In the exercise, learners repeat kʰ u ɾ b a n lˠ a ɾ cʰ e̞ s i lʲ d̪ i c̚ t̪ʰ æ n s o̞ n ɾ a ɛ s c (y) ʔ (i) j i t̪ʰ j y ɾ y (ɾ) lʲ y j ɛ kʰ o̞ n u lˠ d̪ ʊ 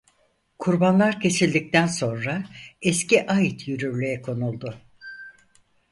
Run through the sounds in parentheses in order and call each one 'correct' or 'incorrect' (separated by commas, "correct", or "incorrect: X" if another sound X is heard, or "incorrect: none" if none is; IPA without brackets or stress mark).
incorrect: i, incorrect: a, correct